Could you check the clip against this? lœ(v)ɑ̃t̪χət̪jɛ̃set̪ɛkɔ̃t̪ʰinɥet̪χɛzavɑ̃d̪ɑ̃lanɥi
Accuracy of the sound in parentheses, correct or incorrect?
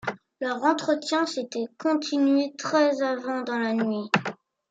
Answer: incorrect